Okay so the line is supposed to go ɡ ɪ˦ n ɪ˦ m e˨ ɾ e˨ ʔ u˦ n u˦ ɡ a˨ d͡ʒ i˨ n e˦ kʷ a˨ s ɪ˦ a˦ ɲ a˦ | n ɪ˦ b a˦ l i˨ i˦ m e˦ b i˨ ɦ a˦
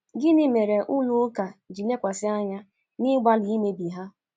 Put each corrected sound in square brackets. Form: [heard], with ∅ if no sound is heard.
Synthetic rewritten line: ɡ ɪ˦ n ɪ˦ m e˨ ɾ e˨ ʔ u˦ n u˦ [k] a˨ d͡ʒ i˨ n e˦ kʷ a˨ s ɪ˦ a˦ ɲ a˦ | n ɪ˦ [ɡ͡b] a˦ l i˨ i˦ m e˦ b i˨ ɦ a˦